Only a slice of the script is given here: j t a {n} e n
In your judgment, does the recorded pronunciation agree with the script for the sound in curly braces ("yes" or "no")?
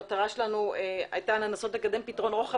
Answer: yes